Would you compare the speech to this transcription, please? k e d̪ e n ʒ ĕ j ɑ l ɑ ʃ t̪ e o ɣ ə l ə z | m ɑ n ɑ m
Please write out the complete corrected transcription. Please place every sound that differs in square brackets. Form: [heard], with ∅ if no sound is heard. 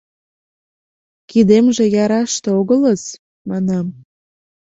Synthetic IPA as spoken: k [i] d̪ e [m] ʒ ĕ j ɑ [ɾ] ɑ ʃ t̪ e o ɣ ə l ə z | m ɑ n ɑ m